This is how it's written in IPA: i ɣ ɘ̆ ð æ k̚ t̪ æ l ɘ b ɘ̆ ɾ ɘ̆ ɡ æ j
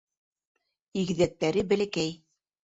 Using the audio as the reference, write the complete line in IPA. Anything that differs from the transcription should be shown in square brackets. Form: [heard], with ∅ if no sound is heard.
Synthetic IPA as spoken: i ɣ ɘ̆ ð æ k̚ t̪ æ [ɾ] ɘ b ɘ̆ [l] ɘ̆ [k] æ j